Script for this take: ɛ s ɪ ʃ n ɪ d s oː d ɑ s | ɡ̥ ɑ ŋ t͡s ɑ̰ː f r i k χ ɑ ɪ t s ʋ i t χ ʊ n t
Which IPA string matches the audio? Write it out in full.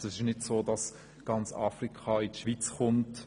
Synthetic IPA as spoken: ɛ s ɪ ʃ n ɪ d s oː d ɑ s | ɡ̥ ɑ n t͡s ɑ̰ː f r i k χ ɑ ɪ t ʃ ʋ i t͡s χ ʊ n t